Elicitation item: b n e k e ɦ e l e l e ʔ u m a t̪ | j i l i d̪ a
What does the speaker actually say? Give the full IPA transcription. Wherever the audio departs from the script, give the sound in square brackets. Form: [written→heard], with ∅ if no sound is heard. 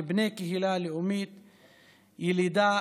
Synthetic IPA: b n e k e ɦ [e→i] l [e→a] l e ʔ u m [a→i] t̪ | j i l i d̪ a